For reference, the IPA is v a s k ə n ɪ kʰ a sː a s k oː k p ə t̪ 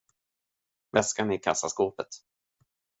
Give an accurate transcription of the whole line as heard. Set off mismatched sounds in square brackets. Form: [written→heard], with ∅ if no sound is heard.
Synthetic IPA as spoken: v [a→ɛ] s k [ə→a] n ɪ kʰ a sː a s k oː [k→∅] p ə t̪

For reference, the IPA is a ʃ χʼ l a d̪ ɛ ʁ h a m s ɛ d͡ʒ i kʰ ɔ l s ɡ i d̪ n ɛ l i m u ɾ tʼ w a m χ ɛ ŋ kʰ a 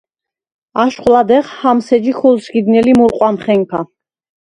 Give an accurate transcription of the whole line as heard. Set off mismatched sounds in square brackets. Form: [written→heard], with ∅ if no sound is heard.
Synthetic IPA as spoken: a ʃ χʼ l a d̪ ɛ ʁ h a m s ɛ d͡ʒ i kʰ ɔ l s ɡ i d̪ n ɛ l i m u ɾ [tʼ→qʼ] w a m χ ɛ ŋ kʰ a

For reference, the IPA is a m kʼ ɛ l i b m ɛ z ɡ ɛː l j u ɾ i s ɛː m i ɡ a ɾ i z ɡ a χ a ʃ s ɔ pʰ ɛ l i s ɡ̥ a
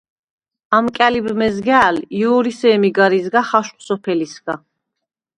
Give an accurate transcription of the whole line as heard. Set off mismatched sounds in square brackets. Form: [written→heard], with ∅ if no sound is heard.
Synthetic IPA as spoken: a m kʼ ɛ l i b m ɛ z ɡ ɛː l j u ɾ i s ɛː m i ɡ a ɾ i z ɡ a χ a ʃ s ɔ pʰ ɛ l i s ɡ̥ a

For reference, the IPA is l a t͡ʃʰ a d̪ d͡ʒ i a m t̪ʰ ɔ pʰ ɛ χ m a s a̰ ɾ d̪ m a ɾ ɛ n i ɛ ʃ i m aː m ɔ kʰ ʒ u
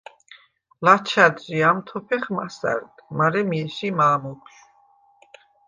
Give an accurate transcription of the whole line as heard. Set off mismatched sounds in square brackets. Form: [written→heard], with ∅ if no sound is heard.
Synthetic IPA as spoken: l a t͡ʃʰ a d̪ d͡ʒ i a m t̪ʰ ɔ pʰ ɛ χ m a s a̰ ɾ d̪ m a ɾ ɛ [n→m] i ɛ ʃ i m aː m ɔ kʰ [ʒ→ʃ] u

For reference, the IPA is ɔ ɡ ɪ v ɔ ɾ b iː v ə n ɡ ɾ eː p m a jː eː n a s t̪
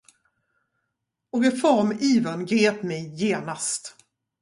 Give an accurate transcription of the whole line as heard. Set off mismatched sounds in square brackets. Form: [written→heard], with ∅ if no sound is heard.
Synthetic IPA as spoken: ɔ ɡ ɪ [v→f] ɔ ɾ [b→m] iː v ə n ɡ ɾ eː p m [a→ɛ] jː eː n a s t̪

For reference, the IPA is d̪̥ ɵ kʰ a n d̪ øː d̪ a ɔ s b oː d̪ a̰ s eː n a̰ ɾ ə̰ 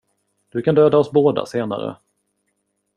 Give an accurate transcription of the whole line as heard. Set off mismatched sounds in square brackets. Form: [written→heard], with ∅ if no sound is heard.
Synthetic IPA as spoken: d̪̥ ɵ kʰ a n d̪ øː d̪ a ɔ s b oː d̪ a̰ s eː n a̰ ɾ ə̰

